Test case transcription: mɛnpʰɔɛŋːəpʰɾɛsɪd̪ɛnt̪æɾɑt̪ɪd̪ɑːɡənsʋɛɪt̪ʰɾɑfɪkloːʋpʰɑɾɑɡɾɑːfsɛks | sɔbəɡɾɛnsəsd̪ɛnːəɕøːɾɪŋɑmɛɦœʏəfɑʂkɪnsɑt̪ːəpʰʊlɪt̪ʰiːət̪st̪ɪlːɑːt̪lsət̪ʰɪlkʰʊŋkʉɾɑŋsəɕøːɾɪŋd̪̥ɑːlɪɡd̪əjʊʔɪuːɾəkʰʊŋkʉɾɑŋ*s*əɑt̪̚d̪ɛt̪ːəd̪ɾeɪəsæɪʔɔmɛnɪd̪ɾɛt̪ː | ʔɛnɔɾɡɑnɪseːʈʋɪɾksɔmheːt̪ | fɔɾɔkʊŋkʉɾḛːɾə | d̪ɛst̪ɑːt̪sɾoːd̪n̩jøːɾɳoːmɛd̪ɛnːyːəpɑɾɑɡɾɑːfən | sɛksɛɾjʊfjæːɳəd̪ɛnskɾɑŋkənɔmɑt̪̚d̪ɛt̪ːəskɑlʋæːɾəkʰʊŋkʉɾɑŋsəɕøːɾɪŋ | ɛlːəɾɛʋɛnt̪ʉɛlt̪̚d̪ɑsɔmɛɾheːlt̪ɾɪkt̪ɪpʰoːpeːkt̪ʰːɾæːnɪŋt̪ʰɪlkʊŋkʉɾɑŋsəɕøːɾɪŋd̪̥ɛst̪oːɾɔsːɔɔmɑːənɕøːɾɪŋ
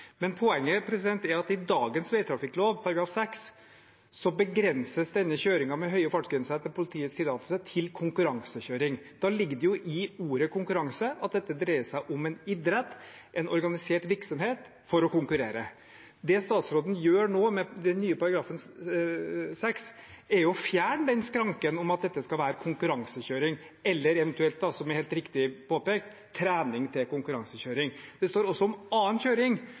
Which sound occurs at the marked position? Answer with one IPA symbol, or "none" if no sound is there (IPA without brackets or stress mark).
s